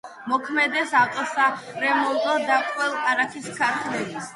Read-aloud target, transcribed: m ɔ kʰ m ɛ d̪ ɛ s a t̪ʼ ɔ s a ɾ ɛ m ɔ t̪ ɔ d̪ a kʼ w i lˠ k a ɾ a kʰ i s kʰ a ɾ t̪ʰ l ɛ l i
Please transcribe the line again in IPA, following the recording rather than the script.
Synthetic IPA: m ɔ kʰ m ɛ d̪ ɛ s a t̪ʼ ɔ s a ɾ ɛ m ɔ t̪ ɔ d̪ a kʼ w ɛ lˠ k a ɾ a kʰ i s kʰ a ɾ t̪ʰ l ɛ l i

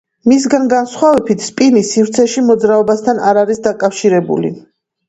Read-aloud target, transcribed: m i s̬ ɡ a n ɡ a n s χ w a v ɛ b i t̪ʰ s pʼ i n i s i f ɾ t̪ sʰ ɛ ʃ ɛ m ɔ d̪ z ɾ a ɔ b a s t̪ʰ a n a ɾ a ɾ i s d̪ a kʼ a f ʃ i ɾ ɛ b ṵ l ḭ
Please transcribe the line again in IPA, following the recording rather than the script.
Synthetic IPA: m i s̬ ɡ a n ɡ a n s χ w a v ɛ b i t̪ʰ s pʼ i n i s i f ɾ t̪ sʰ ɛ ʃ i m ɔ d̪ z ɾ a ɔ b a s t̪ʰ a n a ɾ a ɾ i s d̪ a kʼ a f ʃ i ɾ ɛ b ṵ l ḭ

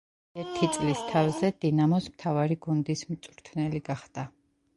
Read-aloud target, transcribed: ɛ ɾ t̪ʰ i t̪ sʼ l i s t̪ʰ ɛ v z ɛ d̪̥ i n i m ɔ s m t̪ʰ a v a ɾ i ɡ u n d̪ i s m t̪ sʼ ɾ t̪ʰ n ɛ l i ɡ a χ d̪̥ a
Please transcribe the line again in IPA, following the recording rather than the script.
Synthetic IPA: ɛ ɾ t̪ʰ i t̪ sʼ l i s t̪ʰ a v z ɛ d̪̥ i n a m ɔ s m t̪ʰ a v a ɾ i ɡ u n d̪ i s m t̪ sʼ ɾ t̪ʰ n ɛ l i ɡ a χ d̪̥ a

